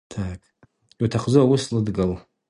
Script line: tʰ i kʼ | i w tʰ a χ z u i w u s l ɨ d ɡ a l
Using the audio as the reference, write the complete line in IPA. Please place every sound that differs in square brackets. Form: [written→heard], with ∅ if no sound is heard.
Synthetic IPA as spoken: tʰ [i→a] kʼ | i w tʰ a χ z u [i→a] w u s l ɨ d ɡ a l